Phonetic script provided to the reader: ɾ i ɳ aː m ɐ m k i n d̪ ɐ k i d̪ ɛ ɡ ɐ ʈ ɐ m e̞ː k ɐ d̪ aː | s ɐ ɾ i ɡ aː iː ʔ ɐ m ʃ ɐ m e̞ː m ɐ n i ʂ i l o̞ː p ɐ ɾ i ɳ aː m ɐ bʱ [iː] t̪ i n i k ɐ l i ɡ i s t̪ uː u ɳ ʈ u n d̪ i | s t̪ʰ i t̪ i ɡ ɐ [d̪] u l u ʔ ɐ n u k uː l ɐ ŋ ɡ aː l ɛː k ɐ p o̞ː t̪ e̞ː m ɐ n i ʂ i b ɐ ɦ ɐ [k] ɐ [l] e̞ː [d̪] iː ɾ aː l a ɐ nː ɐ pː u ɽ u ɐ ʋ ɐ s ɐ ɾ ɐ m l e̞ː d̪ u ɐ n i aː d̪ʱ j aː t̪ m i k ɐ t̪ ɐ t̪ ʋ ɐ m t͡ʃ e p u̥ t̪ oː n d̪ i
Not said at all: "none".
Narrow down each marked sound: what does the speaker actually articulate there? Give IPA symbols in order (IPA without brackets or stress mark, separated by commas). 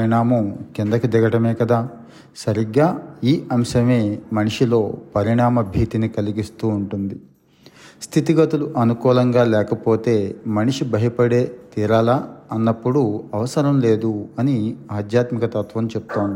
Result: iː, t̪, p, ɽ, t̪